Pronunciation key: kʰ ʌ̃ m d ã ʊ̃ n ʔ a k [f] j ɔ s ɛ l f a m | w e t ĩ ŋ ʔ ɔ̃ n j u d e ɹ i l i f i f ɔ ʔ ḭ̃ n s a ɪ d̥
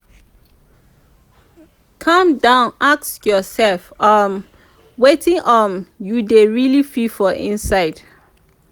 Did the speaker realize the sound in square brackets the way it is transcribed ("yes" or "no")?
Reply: no